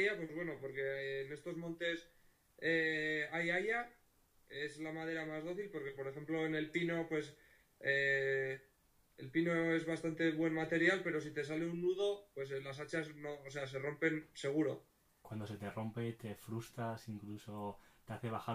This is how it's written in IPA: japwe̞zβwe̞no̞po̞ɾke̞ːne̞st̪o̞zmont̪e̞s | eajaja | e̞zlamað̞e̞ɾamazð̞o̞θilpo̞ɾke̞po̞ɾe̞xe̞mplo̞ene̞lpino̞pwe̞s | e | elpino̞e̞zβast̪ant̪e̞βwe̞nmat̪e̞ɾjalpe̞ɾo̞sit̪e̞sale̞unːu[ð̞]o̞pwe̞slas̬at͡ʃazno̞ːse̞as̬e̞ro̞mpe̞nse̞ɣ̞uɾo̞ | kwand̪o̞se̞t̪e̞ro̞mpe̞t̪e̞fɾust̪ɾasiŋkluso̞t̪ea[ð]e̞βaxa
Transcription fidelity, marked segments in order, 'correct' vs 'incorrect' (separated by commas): correct, incorrect